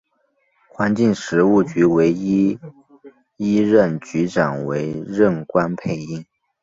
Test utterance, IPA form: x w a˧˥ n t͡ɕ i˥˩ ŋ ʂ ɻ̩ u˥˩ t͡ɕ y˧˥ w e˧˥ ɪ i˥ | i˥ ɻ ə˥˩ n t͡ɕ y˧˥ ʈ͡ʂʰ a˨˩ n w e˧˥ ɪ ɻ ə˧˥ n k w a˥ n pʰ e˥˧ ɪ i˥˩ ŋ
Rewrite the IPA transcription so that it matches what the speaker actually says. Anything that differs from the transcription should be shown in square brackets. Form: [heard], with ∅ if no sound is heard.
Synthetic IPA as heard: x w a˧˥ n t͡ɕ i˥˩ ŋ ʂ ɻ̩ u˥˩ t͡ɕ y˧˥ w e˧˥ ɪ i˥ | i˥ ɻ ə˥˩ n t͡ɕ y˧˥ [ʈ͡ʂ] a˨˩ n w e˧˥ ɪ ɻ [ə˥˩] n k w a˥ n pʰ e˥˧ ɪ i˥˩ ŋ

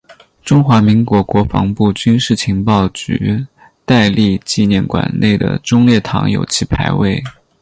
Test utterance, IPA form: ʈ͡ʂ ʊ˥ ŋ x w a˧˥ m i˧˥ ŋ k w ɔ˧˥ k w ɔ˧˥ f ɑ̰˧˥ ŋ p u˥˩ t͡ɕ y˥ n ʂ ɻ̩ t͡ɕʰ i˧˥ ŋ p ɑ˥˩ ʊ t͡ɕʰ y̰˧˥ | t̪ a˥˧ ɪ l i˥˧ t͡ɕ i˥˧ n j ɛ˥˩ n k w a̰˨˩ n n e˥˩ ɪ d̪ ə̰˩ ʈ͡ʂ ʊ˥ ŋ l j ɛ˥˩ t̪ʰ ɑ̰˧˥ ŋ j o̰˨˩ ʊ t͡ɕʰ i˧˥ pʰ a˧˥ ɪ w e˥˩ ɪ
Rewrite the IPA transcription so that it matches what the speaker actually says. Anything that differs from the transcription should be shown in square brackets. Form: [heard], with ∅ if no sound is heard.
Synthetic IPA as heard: ʈ͡ʂ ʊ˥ ŋ x w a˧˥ m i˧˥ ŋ k w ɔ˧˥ k w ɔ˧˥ f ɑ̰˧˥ ŋ p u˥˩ t͡ɕ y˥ n ʂ ɻ̩ t͡ɕʰ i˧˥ ŋ p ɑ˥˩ ʊ [t͡ɕ] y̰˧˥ | t̪ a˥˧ ɪ l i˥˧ t͡ɕ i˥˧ n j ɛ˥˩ n k w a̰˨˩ n n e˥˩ ɪ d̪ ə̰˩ ʈ͡ʂ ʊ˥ ŋ l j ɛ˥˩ t̪ʰ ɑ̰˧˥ ŋ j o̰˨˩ ʊ t͡ɕʰ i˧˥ pʰ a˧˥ ɪ w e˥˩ ɪ

